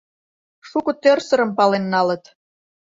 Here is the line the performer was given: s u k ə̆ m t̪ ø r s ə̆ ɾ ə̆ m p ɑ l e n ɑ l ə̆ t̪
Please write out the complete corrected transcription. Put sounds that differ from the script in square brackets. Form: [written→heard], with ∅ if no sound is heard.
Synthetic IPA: [s→ʃ] u k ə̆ [m→∅] t̪ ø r s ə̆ ɾ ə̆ m p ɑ l e [n→nː] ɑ l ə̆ t̪